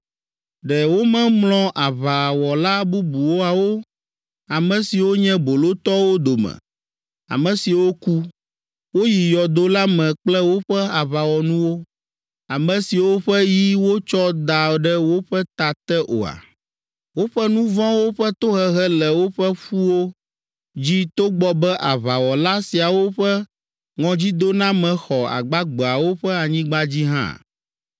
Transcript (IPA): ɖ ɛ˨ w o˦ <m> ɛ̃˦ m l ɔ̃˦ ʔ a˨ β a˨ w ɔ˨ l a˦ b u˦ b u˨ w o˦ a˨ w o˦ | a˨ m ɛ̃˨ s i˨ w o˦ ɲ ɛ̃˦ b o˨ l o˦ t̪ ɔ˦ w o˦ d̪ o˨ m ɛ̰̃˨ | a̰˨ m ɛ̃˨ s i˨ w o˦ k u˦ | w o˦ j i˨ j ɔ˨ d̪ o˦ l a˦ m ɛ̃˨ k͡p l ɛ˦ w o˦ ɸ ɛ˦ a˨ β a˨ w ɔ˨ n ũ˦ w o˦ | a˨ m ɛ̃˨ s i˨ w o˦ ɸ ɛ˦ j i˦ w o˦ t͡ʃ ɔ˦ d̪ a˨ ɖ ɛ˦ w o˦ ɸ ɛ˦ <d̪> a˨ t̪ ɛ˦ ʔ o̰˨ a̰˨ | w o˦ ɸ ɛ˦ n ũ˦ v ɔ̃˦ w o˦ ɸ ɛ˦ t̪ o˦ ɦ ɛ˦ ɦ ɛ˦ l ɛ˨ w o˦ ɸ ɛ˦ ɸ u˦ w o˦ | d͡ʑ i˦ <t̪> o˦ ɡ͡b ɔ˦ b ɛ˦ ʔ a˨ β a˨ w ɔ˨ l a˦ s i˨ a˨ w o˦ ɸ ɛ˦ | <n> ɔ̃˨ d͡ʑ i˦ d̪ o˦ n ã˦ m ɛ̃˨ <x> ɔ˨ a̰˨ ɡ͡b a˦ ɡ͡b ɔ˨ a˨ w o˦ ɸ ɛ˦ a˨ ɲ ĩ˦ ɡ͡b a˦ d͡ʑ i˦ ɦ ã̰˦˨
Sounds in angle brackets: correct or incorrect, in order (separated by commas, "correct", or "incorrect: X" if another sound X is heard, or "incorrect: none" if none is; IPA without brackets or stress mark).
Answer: correct, incorrect: t̪, correct, incorrect: ŋ, correct